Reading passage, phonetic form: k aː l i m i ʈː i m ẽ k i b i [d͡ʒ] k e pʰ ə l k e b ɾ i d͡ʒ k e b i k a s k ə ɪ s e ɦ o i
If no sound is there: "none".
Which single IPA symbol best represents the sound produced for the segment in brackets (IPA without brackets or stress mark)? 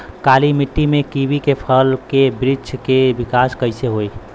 none